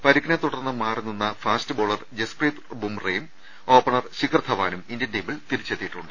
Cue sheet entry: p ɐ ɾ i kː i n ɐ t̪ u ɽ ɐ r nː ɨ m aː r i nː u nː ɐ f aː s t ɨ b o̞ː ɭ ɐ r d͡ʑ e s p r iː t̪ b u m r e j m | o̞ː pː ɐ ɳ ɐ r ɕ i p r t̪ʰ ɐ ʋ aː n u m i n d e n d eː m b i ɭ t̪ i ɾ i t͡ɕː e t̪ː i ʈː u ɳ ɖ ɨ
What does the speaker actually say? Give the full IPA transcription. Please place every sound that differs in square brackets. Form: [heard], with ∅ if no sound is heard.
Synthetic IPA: p ɐ ɾ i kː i n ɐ t̪ u ɽ ɐ r nː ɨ m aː r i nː u nː ɐ f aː s t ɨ b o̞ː ɭ ɐ r d͡ʑ e s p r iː t̪ b u m r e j m | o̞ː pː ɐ ɳ ɐ r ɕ i [k] r t̪ʰ ɐ ʋ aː n u m i n d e n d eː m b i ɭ t̪ i ɾ i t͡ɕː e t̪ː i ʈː u ɳ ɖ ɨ